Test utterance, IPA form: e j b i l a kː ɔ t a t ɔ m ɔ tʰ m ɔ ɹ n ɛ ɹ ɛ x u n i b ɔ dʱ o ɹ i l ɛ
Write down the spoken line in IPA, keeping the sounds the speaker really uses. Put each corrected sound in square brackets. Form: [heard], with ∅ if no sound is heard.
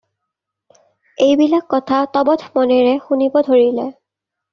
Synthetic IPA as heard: e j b i l a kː ɔ [tʰ] a t ɔ [b] ɔ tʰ m ɔ [∅] n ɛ ɹ ɛ x u n i b ɔ dʱ o ɹ i l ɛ